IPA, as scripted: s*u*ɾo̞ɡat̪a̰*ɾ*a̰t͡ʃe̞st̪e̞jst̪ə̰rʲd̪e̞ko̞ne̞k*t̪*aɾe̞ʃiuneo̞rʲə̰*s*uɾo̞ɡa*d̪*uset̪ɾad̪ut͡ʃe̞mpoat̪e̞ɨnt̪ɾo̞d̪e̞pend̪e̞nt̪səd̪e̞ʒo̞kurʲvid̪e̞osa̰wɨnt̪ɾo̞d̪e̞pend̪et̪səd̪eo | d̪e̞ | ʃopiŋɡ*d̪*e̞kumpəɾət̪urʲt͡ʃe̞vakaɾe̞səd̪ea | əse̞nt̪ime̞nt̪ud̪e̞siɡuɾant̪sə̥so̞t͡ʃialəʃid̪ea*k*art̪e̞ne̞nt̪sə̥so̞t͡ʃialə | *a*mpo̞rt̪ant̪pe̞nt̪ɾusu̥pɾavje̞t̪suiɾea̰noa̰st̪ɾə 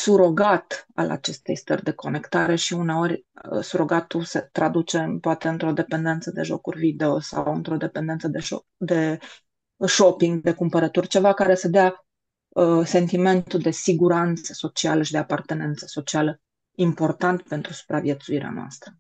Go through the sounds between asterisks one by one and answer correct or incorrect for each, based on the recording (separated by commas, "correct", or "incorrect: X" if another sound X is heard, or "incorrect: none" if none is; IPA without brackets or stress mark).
correct, incorrect: l, correct, correct, incorrect: t̪, correct, incorrect: p, incorrect: i